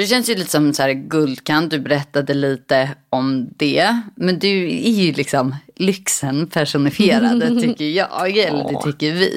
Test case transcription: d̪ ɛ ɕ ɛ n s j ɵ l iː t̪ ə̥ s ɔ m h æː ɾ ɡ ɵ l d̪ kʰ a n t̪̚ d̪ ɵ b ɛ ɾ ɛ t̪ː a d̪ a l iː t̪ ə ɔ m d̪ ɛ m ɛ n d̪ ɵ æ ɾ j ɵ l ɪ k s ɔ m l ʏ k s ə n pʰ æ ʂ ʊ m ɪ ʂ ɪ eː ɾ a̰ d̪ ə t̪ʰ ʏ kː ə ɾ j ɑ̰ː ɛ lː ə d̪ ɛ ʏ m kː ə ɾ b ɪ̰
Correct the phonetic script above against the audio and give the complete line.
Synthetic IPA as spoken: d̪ ɛ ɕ ɛ n s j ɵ l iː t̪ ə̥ s ɔ m s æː ɾ ɡ ɵ l d̪ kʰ a n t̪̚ d̪ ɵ b ɛ ɾ ɛ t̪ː a d̪ ə l iː t̪ ə ɔ m d̪ ɛ m ɛ n d̪ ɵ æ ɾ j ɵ l ɪ k s ɔ m l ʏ k s ə n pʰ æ ʂ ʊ n ɪ f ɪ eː ɾ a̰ d̪ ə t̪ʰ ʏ kː ə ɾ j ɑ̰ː ɛ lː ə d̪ ɛ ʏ kː ə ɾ v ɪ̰